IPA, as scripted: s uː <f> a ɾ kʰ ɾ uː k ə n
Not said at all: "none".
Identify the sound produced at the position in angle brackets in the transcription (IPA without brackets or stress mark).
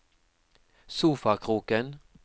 f